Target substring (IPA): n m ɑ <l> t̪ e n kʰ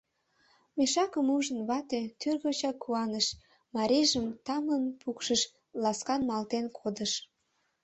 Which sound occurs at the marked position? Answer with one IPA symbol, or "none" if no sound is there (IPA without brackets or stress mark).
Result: l